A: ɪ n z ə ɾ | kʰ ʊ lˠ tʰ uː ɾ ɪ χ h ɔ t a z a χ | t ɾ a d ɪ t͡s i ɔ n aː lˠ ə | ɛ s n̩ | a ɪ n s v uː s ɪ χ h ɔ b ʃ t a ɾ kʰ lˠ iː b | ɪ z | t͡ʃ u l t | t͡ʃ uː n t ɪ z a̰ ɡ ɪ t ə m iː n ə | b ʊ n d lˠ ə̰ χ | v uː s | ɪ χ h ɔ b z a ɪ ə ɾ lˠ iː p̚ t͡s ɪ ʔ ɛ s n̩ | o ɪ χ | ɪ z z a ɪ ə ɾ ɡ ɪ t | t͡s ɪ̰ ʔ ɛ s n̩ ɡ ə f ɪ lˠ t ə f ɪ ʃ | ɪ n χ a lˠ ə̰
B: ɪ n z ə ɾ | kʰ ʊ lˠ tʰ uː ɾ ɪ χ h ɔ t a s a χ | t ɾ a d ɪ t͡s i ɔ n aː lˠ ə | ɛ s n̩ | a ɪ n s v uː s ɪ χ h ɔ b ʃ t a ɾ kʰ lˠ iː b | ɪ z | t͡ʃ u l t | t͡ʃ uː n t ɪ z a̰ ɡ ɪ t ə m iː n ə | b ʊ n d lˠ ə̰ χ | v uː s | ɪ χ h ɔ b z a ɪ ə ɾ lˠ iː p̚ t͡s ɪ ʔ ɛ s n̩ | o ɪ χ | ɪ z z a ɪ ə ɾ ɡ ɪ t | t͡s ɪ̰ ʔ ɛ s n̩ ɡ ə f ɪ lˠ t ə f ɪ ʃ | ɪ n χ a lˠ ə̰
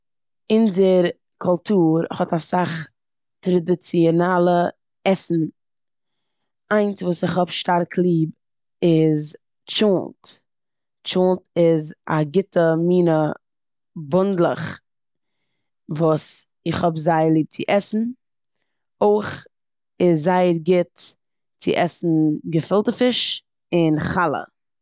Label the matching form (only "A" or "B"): B